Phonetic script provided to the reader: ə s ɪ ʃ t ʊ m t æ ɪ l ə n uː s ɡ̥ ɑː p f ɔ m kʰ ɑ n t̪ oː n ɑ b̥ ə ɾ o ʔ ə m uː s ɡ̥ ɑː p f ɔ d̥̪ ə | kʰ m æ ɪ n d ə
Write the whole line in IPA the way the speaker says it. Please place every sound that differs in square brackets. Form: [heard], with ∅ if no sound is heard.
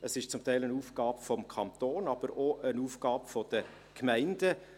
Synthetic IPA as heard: ə s ɪ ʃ [t͡s] ʊ m t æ ɪ l ə n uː [f] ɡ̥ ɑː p f ɔ m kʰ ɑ n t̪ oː n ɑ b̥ ə ɾ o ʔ ə [n] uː [f] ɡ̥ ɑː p f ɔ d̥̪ ə | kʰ m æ ɪ n d ə